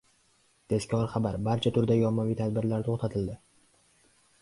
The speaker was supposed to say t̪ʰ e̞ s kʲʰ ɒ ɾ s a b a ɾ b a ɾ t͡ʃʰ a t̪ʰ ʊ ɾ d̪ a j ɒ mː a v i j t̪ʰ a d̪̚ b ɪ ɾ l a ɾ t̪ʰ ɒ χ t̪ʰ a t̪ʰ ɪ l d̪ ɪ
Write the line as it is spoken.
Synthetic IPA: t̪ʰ e̞ s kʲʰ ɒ ɾ χ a b a ɾ b a ɾ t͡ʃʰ a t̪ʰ ʊ ɾ d̪ a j ɒ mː a v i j t̪ʰ a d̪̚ b ɪ ɾ l a ɾ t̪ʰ o χ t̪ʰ a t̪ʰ ɪ l d̪ ɪ

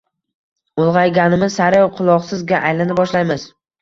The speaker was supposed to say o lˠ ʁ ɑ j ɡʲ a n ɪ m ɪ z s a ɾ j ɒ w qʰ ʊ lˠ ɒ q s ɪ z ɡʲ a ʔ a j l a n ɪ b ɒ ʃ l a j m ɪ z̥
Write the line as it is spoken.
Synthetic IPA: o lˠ ʁ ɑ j ɡʲ a n ɪ m ɪ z s a ɾ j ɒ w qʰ ʊ lˠ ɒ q s ɪ z ɡʲ a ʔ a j l a n ɪ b ɒ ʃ l a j m ɪ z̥

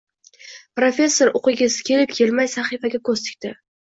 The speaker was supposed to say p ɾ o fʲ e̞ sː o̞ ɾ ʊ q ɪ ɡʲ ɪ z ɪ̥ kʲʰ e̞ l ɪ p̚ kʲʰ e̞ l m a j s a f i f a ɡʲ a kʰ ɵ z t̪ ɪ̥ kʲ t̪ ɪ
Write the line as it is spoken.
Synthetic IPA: p ɾ o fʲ e̞ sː o̞ ɾ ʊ q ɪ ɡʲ ɪ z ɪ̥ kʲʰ e̞ l ɪ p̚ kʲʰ e̞ l m a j s a χ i f a ɡʲ a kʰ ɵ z t̪ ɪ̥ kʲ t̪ ɪ

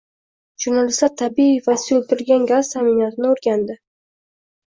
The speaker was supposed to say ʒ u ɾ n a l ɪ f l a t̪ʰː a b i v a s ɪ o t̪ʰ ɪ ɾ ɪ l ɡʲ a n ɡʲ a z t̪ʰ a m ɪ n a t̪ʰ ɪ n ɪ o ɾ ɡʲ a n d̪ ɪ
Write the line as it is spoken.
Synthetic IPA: ʒ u ɾ n a l ɪ s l a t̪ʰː a b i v a s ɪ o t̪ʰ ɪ ɾ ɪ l ɡʲ a n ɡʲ a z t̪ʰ a m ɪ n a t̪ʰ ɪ n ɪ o ɾ ɡʲ a n d̪ ɪ

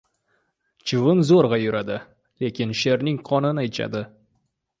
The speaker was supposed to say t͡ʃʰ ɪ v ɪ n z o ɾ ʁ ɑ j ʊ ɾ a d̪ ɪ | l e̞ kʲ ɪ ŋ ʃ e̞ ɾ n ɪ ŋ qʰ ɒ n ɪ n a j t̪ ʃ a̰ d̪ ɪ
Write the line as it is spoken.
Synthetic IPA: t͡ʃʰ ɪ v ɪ n z o ɾ ʁ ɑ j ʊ ɾ a d̪ ɪ | l e̞ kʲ ɪ n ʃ e̞ ɾ n ɪ ŋ qʰ ɒ n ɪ n a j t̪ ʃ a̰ d̪ ɪ

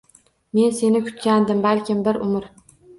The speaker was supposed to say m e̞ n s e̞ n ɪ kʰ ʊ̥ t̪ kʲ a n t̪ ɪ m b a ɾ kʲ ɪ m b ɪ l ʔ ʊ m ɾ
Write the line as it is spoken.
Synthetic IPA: m e̞ n s e̞ n ɪ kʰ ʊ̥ t̪ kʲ a n d̪ ɪ m b a l kʲ ɪ m b ɪ ɾ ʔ ʊ m ɾ

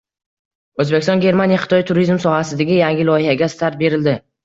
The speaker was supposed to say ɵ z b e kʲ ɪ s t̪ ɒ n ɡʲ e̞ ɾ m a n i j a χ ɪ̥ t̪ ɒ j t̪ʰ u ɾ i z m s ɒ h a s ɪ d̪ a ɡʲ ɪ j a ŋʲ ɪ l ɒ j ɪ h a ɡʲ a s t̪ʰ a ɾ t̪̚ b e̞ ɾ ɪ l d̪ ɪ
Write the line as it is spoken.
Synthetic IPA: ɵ z b e kʲ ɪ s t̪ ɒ n ɡʲ e̞ ɾ m a n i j a χ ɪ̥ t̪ ɒ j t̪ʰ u ɾ i z m s ɒ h a s ɪ d̪ a ɡʲ ɪ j a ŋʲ ɪ l ɒ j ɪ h a ɡʲ a s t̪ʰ a ɾ t̪̚ b e̞ ɾ ɪ l d̪ ɪ

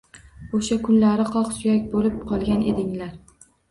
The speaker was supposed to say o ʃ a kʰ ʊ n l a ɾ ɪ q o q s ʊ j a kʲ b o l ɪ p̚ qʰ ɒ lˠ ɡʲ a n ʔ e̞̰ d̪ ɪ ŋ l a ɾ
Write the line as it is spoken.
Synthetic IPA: o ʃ a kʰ ʊ n l a ɾ ɪ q ɒ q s ʊ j a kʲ b o l ɪ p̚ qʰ ɒ lˠ ɡʲ a n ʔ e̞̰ d̪ ɪ ŋ l a ɾ

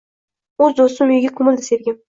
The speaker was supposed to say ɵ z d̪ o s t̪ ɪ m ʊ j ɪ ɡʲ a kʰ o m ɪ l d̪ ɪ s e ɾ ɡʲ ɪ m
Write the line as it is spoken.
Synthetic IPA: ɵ z d̪ o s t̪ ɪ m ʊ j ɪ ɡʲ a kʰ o m ɪ l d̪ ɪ s e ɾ ɡʲ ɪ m

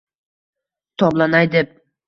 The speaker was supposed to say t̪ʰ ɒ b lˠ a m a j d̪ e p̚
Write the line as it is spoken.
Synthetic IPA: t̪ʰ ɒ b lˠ a n a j d̪ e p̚

